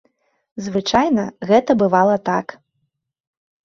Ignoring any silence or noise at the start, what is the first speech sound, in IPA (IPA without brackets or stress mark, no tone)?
z